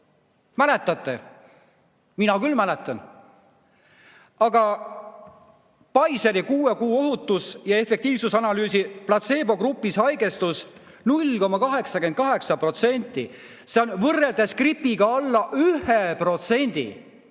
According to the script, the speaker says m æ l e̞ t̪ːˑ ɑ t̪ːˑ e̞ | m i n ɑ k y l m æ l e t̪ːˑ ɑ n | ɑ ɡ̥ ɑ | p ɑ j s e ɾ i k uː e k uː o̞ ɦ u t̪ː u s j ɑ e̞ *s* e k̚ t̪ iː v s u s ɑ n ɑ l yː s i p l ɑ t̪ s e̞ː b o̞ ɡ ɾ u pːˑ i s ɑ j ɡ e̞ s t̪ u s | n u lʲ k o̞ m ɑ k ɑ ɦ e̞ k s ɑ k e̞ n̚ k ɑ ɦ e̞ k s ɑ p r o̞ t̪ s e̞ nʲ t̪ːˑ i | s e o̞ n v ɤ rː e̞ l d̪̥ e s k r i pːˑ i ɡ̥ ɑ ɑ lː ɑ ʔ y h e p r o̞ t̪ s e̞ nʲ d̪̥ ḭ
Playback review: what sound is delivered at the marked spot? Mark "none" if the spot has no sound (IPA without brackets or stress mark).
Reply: f